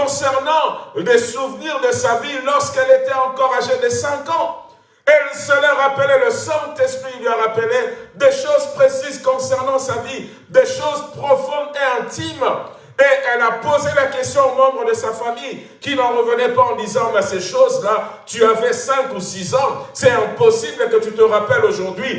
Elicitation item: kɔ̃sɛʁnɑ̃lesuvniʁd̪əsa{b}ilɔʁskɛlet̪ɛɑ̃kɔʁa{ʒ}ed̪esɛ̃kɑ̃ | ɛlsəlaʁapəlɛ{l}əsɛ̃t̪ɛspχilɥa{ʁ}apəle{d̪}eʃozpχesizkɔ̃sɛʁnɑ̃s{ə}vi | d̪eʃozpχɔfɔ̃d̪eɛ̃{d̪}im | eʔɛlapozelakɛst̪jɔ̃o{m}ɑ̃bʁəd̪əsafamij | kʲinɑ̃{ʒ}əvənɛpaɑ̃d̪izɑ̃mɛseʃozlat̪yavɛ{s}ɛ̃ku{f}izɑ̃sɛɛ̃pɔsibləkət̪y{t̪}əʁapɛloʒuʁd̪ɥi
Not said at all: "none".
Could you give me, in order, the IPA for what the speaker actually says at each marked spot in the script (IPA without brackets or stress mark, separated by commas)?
v, ʒ, l, ʁ, d̪, a, t̪, m, ʁ, s, s, t̪